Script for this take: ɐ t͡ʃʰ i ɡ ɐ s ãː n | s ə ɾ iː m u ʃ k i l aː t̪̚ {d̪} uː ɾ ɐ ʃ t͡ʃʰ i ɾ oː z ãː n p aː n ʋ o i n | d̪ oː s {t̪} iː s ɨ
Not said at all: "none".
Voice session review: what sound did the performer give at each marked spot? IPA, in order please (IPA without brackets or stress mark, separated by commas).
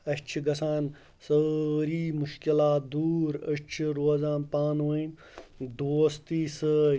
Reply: d̪, t̪